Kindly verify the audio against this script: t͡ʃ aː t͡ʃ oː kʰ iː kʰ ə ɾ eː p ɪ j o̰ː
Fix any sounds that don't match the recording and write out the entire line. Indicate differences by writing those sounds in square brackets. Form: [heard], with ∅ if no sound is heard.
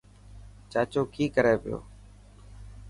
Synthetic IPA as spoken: t͡ʃ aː t͡ʃ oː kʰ iː [k] ə ɾ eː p ɪ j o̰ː